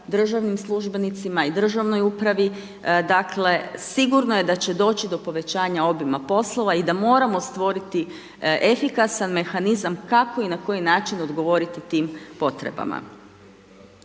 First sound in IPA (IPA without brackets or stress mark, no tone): d̪